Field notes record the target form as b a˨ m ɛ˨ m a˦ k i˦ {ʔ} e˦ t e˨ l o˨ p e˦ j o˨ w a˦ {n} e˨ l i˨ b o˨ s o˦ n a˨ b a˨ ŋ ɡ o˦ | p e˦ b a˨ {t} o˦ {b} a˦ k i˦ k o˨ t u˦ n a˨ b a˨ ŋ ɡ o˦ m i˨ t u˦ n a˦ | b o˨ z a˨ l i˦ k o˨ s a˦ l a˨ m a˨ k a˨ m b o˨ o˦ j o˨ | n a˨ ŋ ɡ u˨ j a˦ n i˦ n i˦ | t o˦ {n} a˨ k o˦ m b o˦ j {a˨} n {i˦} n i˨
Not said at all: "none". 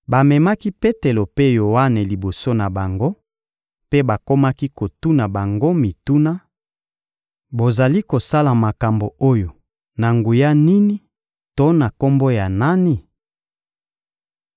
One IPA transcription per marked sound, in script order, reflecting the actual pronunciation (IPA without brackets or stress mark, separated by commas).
p, n, k, m, n, a˨, a˦